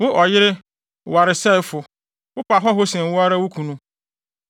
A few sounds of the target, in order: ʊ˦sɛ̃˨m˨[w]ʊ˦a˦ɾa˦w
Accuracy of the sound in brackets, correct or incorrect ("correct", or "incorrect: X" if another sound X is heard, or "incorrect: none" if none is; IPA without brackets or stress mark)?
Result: correct